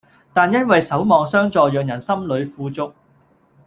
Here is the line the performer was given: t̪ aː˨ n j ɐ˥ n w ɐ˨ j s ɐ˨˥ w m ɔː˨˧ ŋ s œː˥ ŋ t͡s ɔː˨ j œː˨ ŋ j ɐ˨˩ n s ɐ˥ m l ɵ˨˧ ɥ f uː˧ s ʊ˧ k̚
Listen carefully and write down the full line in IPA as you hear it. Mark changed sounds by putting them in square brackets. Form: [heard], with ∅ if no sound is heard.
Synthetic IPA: t̪ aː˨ n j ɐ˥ n w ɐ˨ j s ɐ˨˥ w m ɔː˨˧ ŋ s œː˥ ŋ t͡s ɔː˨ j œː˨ ŋ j ɐ˨˩ n s ɐ˥ m l ɵ˨˧ ɥ f uː˧ [t͡s] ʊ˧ k̚